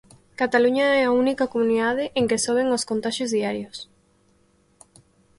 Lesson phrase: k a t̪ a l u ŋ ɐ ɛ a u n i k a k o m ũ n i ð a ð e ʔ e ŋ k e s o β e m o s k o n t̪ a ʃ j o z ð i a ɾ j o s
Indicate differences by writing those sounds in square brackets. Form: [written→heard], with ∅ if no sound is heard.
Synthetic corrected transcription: k a t̪ a l u [ŋ→ɲ] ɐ ɛ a u n i k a k o m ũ n i ð a ð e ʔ e ŋ k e s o β e [m→ŋ] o s k o n t̪ a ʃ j o z ð i a ɾ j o s